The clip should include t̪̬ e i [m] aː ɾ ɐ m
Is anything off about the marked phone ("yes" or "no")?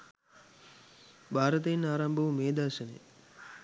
yes